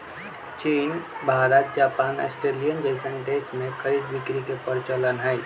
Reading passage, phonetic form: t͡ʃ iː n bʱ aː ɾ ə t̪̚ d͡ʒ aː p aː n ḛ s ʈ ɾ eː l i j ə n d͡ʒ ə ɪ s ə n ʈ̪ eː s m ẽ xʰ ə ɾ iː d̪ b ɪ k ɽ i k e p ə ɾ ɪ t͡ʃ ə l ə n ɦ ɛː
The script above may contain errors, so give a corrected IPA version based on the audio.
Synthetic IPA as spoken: t͡ʃ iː n bʱ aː ɾ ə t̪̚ d͡ʒ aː p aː n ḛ s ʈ ɾ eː l i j ə n d͡ʒ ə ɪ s ə n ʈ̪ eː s m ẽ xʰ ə ɾ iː d̪ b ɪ k ɾ i k e p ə ɾ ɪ t͡ʃ ə l ə n ɦ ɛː

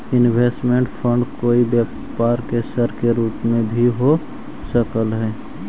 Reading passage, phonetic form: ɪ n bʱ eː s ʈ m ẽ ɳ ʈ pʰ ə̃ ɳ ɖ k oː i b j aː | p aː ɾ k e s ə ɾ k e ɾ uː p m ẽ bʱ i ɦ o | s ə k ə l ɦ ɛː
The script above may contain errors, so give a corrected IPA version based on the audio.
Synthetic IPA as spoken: ɪ n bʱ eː s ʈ m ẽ ɳ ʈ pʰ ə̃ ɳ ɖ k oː i b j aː | p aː ɾ k e s ə ɾ k e ɾ uː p m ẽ bʱ i ɦ o | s ə k ə l ɦ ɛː

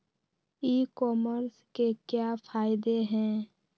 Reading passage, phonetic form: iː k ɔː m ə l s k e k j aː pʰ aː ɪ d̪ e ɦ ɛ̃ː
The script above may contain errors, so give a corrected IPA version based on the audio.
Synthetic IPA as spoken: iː k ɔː m ə ɾ s k e k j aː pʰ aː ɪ d̪ e ɦ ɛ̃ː

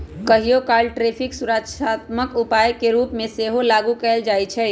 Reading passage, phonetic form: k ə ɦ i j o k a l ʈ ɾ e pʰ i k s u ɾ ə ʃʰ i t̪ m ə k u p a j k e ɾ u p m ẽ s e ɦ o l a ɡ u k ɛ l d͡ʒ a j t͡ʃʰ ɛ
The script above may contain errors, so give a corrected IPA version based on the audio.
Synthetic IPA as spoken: k ə ɦ i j o k a l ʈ ɾ e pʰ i k s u ɾ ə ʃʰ a t̪ m ə k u p a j k e ɾ u p m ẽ s e ɦ o l a ɡ u k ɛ l d͡ʒ a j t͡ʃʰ ɛ

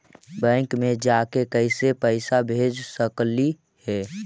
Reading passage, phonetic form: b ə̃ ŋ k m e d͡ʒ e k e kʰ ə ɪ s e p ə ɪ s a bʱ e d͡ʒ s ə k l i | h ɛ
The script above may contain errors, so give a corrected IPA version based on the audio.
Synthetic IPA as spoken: b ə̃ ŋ k m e d͡ʒ a k e k ə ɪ s e p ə ɪ s a bʱ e d͡ʒ s ə k l i | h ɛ

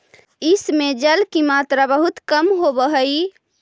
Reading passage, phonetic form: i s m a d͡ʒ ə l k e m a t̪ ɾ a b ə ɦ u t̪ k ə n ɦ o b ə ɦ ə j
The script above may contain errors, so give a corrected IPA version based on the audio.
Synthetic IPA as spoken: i s m e d͡ʒ ə l k i m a t̪ ɾ a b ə ɦ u t̪ k ə m ɦ o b ə ɦ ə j

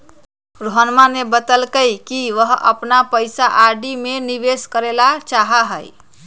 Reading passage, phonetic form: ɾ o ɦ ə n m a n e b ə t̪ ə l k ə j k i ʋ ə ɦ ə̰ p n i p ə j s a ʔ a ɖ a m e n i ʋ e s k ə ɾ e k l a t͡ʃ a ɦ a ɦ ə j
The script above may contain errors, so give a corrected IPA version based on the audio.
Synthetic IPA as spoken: ɾ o ɦ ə n m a n e b ə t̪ ə l k ə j k i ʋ ə ɦ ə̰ p n a p ə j s a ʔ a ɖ i m e n i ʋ e s k ə ɾ e l a t͡ʃ a ɦ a ɦ ə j

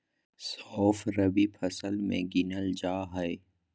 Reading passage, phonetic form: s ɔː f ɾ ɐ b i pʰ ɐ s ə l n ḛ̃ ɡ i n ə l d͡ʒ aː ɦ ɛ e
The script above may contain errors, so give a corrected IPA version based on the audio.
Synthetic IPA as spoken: s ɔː f ɾ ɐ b i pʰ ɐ s ə l m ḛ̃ ɡ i n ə l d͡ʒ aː ɦ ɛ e

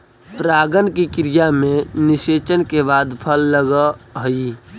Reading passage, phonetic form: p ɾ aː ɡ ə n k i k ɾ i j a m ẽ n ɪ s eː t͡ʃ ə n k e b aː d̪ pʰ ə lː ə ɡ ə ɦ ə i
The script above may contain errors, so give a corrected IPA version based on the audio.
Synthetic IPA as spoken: p ɾ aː ɡ ə n k i k ɾ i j a m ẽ n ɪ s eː t͡ʃ ə n k e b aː d̪ pʰ ə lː ə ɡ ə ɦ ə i

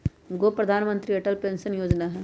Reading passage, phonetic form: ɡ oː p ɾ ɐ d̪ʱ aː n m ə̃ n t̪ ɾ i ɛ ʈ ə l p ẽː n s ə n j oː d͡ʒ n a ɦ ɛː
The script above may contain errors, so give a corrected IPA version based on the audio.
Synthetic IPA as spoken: ɡ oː p ɾ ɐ d̪ʱ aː n m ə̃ n t̪ ɾ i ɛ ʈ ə l p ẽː n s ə n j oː d͡ʒ n a ɦ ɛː

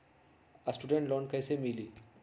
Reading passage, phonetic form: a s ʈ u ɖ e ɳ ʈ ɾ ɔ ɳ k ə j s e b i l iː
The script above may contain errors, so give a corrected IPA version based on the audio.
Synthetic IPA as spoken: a s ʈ u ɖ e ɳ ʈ l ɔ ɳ k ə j s e m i l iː

